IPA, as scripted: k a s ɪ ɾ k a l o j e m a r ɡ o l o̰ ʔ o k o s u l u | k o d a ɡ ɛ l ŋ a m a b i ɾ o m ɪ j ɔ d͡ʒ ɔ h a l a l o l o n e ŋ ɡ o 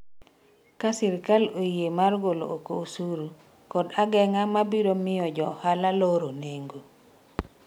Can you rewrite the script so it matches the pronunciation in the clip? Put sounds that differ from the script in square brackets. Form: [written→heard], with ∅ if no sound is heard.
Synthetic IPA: k a s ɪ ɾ k a l o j e m a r ɡ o l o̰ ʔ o k o s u [l→ɾ] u | k [o→ɔ] d a ɡ ɛ [l→∅] ŋ a m a b i ɾ o m ɪ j ɔ d͡ʒ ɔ h a l a l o [l→ɾ] o n e ŋ ɡ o